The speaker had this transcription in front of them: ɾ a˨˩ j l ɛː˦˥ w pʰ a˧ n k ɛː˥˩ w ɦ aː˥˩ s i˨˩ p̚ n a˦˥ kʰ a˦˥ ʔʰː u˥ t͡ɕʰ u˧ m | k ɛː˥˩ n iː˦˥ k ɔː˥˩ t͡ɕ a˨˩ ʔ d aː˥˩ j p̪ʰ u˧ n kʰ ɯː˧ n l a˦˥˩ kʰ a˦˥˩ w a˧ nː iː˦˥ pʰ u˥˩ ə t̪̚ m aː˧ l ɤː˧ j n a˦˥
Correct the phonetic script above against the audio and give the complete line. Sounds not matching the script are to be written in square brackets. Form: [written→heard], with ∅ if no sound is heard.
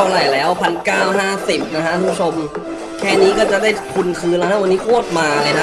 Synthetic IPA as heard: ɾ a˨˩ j l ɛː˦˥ w pʰ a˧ n k [ɛː˥˩→aː˥˩] w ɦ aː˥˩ s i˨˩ p̚ n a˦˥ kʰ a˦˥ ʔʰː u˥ t͡ɕʰ [u˧→o˧] m | [k→kʰ] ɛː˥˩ n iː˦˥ k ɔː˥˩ t͡ɕ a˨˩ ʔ d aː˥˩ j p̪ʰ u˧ n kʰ ɯː˧ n l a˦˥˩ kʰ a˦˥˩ w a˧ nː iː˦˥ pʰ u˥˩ ə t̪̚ m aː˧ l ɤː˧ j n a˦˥